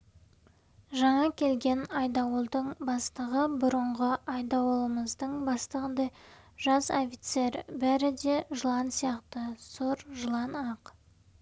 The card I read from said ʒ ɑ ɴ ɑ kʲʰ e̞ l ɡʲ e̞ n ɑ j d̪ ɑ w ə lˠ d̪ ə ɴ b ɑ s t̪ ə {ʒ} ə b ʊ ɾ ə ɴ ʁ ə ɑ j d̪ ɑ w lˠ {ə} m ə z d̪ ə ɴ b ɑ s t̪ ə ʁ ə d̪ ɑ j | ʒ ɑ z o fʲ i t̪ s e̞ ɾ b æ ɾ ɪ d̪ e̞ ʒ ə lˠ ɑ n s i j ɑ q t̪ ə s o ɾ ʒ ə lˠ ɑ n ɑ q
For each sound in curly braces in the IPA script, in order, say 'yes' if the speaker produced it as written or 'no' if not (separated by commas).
no, yes